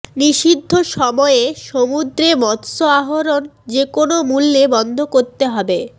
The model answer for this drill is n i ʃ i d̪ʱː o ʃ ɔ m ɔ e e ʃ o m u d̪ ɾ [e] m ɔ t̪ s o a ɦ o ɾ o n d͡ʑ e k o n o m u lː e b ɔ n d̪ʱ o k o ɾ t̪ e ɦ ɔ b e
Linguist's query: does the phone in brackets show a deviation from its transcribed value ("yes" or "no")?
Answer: no